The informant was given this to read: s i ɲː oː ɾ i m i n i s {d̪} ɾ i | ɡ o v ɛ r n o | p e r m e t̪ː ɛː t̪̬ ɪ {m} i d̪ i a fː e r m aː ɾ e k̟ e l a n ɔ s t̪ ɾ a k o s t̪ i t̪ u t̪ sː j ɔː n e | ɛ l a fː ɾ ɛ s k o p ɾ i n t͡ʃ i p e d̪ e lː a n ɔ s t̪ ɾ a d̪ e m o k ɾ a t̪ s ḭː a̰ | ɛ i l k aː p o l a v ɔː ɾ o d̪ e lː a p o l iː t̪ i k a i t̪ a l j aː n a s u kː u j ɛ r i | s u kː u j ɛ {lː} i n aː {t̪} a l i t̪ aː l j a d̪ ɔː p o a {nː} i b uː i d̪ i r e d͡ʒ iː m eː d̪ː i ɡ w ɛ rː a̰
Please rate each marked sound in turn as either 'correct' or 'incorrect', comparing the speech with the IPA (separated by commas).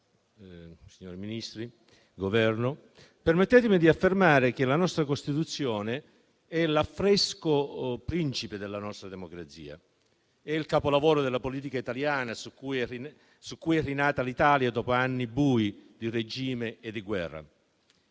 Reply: incorrect, correct, incorrect, correct, correct